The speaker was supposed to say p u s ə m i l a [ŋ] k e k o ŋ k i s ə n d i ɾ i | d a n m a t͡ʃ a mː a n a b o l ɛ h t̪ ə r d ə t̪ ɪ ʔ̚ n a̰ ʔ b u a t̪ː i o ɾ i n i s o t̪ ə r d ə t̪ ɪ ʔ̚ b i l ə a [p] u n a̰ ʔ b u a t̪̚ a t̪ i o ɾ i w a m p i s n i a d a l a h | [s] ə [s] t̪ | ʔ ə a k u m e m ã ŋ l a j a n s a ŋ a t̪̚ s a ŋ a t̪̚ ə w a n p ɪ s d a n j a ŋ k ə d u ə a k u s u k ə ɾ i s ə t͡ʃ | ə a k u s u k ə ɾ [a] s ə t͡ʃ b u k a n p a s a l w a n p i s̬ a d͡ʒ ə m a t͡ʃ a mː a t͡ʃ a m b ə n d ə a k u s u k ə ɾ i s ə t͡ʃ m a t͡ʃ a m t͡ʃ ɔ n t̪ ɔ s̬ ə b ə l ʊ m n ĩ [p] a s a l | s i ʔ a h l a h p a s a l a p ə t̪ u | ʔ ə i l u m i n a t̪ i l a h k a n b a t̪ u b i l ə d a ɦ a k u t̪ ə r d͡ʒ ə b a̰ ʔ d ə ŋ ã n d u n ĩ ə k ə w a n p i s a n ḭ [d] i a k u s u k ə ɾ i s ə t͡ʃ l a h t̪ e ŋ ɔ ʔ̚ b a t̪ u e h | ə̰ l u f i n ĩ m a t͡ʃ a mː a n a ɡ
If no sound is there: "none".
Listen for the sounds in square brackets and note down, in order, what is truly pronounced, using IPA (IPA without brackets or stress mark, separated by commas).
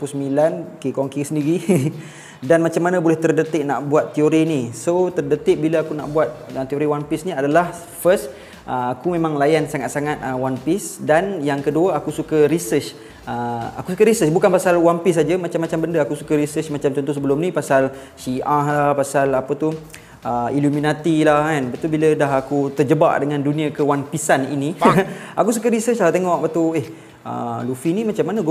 n, k, f, s, i, p, n